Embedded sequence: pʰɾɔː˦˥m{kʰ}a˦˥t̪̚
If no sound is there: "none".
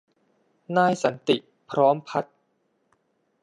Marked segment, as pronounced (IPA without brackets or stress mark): pʰ